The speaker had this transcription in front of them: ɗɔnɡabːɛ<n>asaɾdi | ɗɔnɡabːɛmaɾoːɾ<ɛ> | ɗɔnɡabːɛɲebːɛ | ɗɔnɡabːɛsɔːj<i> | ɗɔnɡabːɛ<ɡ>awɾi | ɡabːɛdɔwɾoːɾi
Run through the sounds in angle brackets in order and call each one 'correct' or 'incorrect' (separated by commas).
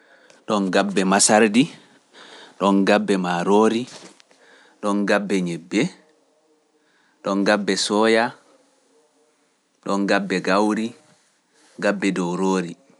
incorrect, incorrect, incorrect, correct